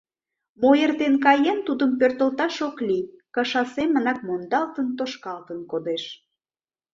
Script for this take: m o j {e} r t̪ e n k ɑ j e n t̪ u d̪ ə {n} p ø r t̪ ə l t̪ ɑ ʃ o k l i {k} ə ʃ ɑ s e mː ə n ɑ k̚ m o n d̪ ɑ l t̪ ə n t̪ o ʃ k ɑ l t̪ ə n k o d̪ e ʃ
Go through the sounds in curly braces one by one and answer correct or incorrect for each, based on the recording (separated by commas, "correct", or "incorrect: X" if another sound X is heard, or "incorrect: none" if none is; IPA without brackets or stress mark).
correct, incorrect: m, correct